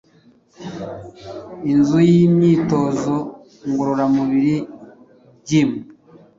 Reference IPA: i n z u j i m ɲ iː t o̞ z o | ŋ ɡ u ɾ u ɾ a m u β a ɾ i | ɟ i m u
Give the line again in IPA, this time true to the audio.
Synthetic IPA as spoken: i n z u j i m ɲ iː t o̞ z o | ŋ ɡ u ɾ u ɾ a m u β i ɾ i | ɟ i m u